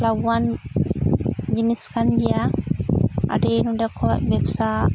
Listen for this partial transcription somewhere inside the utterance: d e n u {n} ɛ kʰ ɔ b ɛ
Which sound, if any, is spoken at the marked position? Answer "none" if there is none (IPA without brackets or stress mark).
d